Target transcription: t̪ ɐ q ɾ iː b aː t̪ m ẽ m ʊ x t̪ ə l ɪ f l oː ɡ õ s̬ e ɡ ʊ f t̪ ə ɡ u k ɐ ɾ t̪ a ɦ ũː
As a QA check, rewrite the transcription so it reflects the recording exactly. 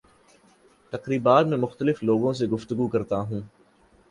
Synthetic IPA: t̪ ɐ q ɾ iː b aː t̪ m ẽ m ʊ x t̪ ə l ɪ f l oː ɡ õ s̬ e ɡ ʊ f t̪ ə ɡ u k ɐ ɾ t̪ a ɦ ũː